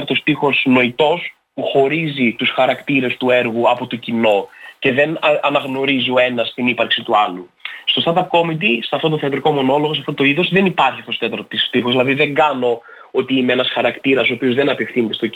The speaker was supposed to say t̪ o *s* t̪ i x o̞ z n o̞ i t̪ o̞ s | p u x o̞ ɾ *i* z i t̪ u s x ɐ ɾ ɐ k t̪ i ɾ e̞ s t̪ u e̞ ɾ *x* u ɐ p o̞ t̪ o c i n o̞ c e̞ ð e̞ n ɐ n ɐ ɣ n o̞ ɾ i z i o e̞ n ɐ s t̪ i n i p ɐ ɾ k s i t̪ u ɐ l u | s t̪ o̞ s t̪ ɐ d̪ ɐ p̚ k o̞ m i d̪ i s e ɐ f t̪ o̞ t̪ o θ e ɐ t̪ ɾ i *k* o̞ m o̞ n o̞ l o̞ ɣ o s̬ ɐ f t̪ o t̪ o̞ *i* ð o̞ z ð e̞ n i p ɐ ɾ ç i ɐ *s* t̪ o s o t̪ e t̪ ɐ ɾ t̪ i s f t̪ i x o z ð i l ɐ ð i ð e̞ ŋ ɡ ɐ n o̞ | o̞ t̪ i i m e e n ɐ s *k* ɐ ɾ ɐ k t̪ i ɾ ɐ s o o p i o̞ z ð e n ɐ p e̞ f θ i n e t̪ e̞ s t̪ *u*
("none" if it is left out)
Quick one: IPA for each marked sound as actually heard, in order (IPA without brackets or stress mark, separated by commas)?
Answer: s, i, ɣ, k, i, f, x, o